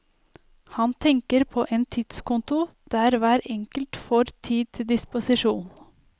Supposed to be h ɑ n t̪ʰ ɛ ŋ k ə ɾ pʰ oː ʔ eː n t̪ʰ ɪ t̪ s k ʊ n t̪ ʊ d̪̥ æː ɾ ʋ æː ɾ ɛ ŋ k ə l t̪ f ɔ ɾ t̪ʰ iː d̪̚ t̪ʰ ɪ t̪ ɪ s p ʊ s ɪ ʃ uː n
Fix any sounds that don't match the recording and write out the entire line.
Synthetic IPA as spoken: h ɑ n t̪ʰ ɛ ŋ k ə ɾ pʰ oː ʔ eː n t̪ʰ ɪ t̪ s k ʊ n t̪ ʊ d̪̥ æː ɾ ʋ æː ɾ ɛ ŋ k ə l t̪ f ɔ ɾ t̪ʰ iː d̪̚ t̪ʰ ɪ d̪ ɪ s p ʊ s ɪ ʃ uː n

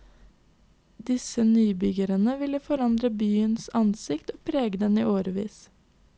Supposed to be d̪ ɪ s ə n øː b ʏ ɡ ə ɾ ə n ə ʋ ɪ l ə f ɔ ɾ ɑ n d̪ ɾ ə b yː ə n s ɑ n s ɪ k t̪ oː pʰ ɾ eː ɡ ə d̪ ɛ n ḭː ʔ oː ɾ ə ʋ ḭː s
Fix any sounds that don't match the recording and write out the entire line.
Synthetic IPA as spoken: d̪ ɪ s ə n yː b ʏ ɡ ə ɾ ə n ə ʋ ɪ l ə f ɔ ɾ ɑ n d̪ ɾ ə b yː ə n s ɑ n s ɪ k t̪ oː pʰ ɾ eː ɡ ə d̪ ɛ n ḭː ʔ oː ɾ ə ʋ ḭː s

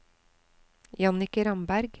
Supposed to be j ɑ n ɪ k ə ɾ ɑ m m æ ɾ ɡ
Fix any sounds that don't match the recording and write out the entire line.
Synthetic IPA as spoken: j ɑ n ɪ k ə ɾ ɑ m b æ ɾ ɡ

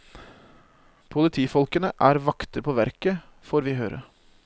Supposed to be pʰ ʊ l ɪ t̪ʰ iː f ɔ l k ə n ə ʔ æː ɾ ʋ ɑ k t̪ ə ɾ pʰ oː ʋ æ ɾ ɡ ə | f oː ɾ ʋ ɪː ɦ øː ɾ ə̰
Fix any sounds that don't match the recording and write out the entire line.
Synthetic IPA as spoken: pʰ ʊ l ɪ t̪ʰ iː f ɔ l k ə n ə ʔ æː ɾ ʋ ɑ k t̪ ə ɾ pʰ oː ʋ æ ɾ k ə | f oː ɾ ʋ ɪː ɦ øː ɾ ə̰

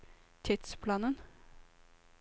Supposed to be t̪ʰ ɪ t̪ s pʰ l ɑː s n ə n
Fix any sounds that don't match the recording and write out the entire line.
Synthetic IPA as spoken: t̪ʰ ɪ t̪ s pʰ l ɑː n ə n

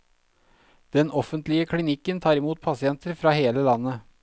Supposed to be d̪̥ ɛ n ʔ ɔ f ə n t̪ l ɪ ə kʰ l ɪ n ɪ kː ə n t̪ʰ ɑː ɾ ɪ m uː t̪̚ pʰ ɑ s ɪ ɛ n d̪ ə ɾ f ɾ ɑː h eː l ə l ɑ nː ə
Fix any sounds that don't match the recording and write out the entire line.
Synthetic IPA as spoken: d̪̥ ɛ n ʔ ɔ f ə n t̪ l ɪ ə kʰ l ɪ n ɪ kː ə n t̪ʰ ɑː ɾ ɪ m uː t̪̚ pʰ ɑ s ɪ ɛ n t̪ ə ɾ f ɾ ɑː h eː l ə l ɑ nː ə

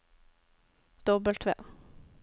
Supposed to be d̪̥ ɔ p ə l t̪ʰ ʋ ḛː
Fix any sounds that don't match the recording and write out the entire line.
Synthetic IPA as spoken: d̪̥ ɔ b ə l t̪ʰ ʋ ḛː

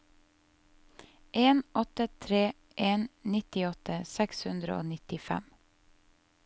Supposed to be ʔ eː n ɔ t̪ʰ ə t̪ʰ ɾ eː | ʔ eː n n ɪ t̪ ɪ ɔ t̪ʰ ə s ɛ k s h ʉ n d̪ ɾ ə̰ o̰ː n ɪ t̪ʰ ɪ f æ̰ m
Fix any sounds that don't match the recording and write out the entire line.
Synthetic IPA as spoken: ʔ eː n ɔ t̪ ə t̪ʰ ɾ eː | ʔ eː n n ɪ t̪ ɪ ɔ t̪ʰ ə s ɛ k s h ʉ n d̪ ɾ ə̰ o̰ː n ɪ t̪ ɪ f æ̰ m

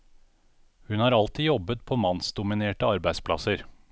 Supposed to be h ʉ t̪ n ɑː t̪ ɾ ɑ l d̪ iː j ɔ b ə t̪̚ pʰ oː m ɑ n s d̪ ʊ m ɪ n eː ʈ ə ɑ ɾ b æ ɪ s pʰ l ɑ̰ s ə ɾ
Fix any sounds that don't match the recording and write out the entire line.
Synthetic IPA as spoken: h ʉ n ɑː ɾ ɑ l t̪ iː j ɔ b ə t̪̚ pʰ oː m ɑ n s d̪ ʊ m ɪ n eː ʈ ə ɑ ɾ b æ ɪ s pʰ l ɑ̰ s ə ɾ

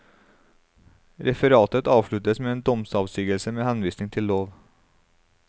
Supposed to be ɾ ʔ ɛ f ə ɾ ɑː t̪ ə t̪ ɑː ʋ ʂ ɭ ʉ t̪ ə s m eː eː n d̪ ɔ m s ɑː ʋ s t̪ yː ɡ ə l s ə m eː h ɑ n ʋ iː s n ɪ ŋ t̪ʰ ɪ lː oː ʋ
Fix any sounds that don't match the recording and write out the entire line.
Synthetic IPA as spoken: ɾ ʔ ɛ f ə ɾ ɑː t̪ ə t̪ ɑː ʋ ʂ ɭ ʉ t̪ ə s m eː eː n d̪ ɔ m s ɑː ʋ s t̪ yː ɡ ə l s ə m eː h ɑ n ʋ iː s n ɪ ŋ t̪ʰ ɪ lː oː ʋ

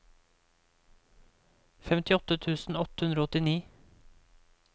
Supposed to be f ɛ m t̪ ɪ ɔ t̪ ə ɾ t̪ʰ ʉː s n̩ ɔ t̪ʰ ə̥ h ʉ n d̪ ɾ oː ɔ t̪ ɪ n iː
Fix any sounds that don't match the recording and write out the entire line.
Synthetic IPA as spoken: f ɛ m t̪ ɪ ɔ t̪ ə t̪ʰ ʉː s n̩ ɔ t̪ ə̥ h ʉ n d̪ ɾ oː ɔ t̪ ɪ n iː

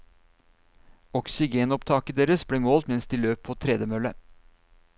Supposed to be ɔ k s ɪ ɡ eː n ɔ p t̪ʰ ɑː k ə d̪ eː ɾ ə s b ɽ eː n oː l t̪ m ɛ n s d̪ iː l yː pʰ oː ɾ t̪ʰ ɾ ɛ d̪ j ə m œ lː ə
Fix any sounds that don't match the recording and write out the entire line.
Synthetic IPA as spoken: ɔ k s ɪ ɡ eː n ɔ p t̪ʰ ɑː k ə d̪ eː ɾ ə s b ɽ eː m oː l t̪ m ɛ n s d̪ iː l øː pʰ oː t̪ʰ ɾ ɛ d̪ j ə m œ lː ə

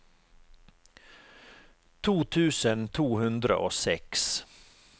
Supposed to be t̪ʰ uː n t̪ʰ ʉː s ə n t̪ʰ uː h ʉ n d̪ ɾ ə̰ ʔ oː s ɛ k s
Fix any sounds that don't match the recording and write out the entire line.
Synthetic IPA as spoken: t̪ʰ uː t̪ʰ ʉː s ə n t̪ʰ uː h ʉ n d̪ ɾ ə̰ ʔ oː s ɛ k s

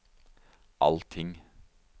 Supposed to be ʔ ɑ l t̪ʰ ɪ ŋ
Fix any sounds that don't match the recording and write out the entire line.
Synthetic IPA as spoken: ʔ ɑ l t̪ʰ ɪ ŋ

